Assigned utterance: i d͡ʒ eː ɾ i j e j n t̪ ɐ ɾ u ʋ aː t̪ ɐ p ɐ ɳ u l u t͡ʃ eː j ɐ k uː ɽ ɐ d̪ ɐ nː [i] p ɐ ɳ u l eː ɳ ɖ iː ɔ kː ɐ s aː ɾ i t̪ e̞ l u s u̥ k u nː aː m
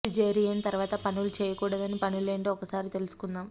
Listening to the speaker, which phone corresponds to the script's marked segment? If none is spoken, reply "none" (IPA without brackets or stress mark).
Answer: i